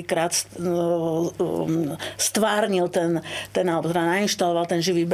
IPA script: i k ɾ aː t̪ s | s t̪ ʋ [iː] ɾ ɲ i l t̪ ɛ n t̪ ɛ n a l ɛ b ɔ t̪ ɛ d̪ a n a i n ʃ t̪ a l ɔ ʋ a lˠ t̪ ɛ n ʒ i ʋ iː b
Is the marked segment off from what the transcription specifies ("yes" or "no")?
yes